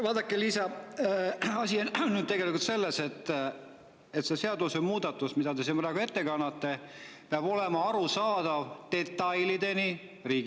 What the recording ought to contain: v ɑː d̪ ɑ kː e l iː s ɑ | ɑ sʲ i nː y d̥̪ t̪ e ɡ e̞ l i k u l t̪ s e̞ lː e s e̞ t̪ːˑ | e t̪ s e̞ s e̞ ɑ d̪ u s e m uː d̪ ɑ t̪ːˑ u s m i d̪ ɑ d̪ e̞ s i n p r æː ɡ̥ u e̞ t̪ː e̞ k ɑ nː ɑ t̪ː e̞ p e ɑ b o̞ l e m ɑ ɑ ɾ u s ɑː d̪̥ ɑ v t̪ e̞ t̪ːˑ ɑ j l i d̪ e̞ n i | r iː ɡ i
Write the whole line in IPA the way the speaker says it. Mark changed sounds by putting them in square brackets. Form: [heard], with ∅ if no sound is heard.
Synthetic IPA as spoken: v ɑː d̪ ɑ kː e l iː s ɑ | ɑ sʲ i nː y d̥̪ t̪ e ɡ e̞ l i k u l t̪ s e̞ lː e s e̞ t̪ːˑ | e t̪ s e̞ s e̞ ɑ d̪ u s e m uː d̪ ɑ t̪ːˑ u s m i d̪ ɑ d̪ e̞ s i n p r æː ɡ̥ u e̞ t̪ː e̞ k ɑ nː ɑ t̪ː e̞ p e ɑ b o̞ l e m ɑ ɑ ɾ u s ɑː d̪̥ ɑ v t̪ e̞ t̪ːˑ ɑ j l i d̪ e̞ n i | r iː ɡ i